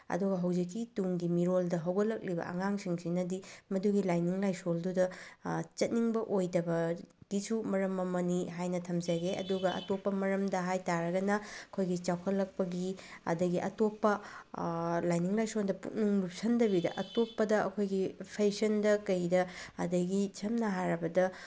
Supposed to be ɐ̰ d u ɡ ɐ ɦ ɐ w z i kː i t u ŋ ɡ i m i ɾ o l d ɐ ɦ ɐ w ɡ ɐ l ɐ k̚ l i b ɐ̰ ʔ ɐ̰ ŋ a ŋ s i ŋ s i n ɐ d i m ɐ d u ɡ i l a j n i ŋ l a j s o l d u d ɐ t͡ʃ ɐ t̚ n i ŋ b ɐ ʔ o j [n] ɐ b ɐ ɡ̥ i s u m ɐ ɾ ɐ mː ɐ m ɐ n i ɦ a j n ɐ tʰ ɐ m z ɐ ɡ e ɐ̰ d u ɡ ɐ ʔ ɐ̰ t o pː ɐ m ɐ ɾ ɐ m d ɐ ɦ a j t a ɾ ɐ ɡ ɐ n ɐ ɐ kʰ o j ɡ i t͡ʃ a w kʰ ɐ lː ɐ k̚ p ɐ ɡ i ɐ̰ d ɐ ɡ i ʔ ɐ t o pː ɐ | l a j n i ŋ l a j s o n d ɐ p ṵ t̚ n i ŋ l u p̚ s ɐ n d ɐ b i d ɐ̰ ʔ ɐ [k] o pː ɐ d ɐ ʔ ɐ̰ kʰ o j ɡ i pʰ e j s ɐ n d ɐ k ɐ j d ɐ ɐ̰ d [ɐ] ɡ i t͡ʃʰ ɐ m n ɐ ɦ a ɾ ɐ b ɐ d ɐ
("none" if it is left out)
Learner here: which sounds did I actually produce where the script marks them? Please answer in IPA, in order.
d, t, ɐ

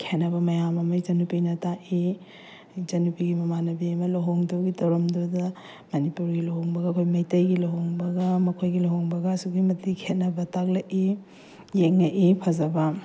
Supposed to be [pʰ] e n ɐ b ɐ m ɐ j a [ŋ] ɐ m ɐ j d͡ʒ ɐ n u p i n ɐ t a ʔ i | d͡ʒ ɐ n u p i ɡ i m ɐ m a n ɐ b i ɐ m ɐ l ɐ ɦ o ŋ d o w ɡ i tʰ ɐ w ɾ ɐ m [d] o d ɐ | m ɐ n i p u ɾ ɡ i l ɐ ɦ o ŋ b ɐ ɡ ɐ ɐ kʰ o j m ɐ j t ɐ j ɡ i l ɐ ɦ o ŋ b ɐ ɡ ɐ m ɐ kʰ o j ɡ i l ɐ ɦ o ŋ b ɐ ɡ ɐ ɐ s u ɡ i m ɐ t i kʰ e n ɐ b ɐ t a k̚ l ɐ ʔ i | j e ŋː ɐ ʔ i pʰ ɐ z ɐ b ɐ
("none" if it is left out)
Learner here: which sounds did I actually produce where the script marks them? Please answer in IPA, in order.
kʰ, m, d

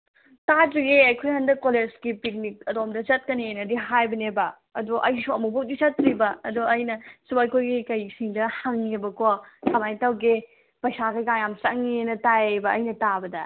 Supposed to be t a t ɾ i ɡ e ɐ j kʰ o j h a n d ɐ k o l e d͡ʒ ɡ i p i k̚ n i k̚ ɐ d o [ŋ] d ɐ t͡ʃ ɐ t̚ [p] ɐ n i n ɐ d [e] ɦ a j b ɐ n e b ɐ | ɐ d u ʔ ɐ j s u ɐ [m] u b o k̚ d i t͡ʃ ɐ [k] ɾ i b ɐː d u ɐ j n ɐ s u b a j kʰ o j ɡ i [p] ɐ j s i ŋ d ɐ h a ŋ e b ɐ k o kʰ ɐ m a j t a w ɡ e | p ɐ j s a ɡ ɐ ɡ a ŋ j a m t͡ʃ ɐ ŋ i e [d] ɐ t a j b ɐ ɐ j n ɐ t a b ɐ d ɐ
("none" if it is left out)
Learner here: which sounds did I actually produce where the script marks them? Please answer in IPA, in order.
m, k, i, m, t, k, n

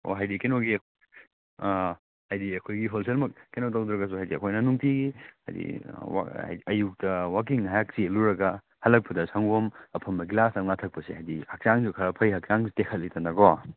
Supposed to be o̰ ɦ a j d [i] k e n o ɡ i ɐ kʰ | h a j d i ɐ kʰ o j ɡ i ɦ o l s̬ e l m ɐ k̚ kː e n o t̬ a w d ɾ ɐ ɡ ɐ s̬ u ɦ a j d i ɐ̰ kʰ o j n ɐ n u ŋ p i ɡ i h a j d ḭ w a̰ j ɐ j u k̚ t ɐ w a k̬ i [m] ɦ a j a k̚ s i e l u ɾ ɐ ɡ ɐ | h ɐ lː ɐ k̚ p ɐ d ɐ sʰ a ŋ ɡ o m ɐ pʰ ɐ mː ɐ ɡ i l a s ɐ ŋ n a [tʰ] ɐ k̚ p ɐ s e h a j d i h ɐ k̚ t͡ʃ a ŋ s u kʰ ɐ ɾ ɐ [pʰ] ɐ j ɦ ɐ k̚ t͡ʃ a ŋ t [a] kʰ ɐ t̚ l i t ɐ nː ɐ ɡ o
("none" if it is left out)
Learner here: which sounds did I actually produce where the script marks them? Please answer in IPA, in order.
i, ŋ, tʰ, pʰ, e

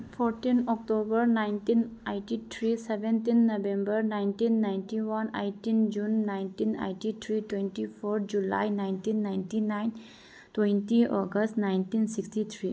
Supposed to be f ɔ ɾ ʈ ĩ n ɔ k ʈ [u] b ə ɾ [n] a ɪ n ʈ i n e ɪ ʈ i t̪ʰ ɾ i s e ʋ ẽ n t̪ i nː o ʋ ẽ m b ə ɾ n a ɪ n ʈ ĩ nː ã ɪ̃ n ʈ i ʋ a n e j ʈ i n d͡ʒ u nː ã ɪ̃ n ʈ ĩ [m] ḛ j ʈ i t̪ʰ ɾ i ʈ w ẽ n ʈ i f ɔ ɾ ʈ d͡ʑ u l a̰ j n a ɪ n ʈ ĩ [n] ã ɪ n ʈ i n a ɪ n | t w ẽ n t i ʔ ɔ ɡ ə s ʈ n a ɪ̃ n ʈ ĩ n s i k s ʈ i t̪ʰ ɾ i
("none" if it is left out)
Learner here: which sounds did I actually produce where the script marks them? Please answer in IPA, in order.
o, n, n, nː

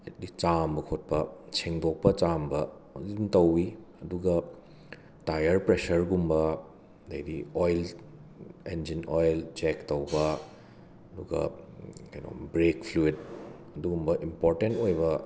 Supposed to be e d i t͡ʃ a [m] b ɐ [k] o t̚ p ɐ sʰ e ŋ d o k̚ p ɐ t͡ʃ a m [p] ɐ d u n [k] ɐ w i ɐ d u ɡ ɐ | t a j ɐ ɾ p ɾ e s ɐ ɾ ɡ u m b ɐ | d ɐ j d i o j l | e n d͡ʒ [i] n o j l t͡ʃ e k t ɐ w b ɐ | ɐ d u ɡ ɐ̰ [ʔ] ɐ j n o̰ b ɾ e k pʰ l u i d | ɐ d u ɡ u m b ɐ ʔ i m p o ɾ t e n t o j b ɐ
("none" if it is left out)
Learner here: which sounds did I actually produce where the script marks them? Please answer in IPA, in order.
m, kʰ, b, t, i, k

